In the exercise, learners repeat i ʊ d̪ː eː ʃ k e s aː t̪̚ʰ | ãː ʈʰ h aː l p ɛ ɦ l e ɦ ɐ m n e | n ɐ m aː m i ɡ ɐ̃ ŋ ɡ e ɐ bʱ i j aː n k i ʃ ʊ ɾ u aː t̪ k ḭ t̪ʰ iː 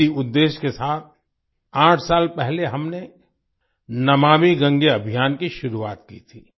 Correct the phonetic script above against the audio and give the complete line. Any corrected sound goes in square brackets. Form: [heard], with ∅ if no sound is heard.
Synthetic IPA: i ʊ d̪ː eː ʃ k e s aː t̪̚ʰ | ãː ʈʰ [s] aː l p ɛ ɦ l e ɦ ɐ m n e | n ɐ m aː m i ɡ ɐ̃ ŋ ɡ e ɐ bʱ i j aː n k i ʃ ʊ ɾ u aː t̪ k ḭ t̪ʰ iː